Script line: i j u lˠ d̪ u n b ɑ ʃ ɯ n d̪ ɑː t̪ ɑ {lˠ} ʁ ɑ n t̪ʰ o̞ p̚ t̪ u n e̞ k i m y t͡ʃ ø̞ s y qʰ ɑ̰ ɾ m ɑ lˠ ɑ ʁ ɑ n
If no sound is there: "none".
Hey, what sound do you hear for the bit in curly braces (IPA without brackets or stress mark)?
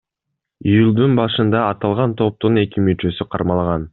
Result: lˠ